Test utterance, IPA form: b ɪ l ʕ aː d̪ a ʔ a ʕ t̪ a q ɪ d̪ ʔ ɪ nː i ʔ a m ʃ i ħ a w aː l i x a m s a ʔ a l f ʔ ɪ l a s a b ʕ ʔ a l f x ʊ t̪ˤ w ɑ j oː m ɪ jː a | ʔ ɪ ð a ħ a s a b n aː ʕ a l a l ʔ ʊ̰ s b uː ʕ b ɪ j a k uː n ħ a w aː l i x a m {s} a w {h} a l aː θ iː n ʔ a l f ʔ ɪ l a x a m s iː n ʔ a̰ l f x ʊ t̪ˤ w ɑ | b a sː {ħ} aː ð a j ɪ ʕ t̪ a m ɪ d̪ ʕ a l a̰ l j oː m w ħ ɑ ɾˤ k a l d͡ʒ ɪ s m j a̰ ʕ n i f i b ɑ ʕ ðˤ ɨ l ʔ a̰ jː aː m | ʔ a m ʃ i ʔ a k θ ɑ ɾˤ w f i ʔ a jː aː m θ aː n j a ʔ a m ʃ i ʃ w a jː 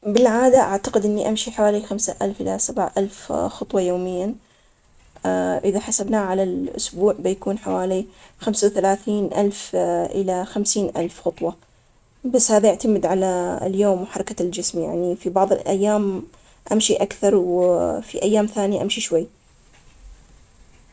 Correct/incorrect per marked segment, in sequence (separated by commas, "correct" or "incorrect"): correct, incorrect, incorrect